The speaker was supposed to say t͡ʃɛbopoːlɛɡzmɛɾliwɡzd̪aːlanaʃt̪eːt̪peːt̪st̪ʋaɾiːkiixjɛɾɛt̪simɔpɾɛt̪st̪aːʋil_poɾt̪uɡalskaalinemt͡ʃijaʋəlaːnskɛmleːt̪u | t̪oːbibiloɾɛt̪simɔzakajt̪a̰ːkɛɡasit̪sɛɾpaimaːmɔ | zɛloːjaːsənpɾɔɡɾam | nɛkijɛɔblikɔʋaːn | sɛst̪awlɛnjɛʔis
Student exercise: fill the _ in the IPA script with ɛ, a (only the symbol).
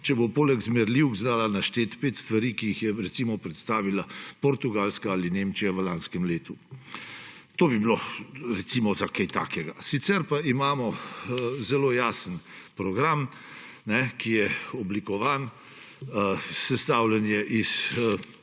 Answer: a